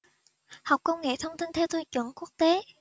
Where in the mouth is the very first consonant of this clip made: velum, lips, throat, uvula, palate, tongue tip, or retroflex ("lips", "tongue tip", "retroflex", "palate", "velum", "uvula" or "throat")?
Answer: throat